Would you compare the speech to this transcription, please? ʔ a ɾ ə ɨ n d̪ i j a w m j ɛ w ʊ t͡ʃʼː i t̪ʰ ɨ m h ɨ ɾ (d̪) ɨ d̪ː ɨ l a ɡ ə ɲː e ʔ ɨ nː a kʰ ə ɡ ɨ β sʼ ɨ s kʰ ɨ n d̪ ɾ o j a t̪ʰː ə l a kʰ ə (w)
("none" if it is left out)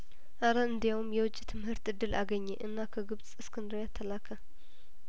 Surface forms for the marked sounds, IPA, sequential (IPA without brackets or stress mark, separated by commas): t̪, none